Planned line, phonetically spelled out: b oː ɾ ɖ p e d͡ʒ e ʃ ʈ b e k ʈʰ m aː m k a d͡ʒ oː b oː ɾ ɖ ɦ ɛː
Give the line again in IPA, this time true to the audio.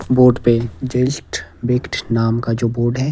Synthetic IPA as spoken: b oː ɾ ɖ p e d͡ʒ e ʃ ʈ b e k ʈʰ n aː m k a d͡ʒ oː b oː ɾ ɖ ɦ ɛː

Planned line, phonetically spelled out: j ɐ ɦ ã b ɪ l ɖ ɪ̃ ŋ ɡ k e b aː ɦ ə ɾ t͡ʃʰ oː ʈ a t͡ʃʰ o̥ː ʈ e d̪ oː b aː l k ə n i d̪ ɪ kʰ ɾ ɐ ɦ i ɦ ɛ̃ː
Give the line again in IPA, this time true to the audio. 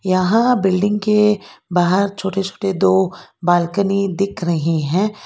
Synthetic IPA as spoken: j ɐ ɦ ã b ɪ l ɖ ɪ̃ ŋ ɡ k e b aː ɦ ə ɾ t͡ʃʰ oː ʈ e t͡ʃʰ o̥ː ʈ e d̪ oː b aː l k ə n i d̪ ɪ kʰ ɾ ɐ ɦ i ɦ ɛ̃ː

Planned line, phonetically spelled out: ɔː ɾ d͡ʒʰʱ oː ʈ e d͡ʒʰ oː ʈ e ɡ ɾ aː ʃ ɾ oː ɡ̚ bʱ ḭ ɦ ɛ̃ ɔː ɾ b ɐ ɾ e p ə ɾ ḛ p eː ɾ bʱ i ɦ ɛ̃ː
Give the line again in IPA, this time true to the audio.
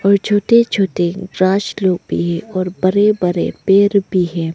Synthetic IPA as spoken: ɔː ɾ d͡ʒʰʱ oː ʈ e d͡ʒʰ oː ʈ e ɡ ɾ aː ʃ l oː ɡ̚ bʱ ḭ ɦ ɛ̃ ɔː ɾ b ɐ ɾ e b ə ɾ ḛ p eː ɾ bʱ i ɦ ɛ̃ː

